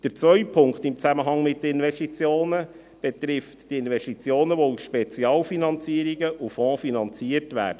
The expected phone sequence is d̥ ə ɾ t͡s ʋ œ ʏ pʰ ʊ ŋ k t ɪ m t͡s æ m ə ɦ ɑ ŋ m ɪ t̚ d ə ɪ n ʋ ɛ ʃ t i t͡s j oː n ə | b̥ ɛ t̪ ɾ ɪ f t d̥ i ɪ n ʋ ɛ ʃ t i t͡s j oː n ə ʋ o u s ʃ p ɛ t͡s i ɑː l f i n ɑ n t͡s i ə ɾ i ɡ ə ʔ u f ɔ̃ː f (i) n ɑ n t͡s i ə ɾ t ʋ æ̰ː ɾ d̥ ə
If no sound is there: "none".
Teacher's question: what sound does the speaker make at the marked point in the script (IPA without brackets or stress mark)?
i